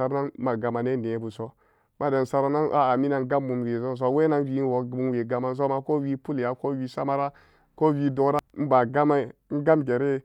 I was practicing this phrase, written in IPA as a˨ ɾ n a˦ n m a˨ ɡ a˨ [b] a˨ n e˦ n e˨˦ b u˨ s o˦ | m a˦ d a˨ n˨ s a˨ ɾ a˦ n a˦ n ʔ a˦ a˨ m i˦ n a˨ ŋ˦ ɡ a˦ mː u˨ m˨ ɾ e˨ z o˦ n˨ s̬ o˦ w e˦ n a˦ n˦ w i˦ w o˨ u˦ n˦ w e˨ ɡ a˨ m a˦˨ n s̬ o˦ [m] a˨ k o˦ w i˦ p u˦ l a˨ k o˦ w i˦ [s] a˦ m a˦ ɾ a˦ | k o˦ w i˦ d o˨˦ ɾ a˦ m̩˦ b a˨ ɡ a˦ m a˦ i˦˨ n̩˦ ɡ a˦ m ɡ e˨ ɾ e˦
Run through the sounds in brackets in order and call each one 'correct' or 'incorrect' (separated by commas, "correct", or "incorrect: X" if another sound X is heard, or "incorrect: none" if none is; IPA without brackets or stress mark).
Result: incorrect: m, correct, correct